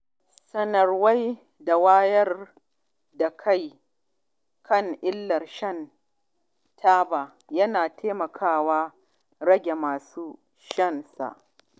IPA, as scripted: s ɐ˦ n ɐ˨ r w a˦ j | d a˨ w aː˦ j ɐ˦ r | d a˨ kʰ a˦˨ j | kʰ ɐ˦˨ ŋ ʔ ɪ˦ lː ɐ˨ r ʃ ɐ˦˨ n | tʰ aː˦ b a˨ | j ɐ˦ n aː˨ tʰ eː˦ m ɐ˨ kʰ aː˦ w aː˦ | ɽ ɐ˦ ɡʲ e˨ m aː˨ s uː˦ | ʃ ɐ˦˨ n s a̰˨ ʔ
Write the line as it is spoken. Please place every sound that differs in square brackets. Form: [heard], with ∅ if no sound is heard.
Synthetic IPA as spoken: s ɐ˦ n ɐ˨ r w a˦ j | d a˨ w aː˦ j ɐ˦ r | d a˨ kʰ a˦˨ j | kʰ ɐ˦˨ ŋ ʔ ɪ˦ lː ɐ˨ r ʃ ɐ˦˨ n | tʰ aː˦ b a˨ | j ɐ˦ n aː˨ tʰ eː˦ m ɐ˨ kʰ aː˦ w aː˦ | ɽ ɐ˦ ɡʲ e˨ m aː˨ s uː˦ | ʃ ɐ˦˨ n s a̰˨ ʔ

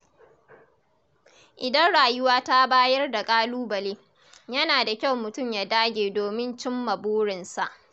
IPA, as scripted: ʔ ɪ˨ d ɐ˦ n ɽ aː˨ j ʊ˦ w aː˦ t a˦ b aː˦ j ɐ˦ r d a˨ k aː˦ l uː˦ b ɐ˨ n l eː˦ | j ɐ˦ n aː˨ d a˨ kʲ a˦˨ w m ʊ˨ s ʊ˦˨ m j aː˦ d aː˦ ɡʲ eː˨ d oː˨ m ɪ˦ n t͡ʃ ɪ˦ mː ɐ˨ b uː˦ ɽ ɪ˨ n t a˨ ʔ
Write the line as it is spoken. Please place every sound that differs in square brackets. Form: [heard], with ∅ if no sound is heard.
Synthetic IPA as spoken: ʔ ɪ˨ d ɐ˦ n ɽ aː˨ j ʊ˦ w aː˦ t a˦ b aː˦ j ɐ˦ r d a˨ [kʼ] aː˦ l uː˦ b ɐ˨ [∅] l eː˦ | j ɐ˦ n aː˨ d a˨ kʲ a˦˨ w m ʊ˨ [t] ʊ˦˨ m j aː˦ d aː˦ ɡʲ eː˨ d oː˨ m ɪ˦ n t͡ʃ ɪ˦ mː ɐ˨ b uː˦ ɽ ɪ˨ n [s] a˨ ʔ

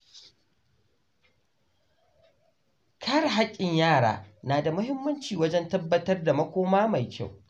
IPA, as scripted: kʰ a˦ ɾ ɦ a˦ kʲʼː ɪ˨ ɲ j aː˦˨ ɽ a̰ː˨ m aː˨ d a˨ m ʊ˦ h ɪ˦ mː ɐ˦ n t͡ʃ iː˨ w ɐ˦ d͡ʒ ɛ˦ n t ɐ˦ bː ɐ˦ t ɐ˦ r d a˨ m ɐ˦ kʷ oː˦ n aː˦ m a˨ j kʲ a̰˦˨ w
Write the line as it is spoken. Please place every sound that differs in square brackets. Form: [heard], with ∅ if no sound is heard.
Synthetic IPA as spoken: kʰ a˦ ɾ ɦ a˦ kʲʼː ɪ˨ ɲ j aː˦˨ ɽ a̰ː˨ [n] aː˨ d a˨ m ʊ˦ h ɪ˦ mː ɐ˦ n t͡ʃ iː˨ w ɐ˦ d͡ʒ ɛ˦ n t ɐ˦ bː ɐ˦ t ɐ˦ r d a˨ m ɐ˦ kʷ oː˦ [m] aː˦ m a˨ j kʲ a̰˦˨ w

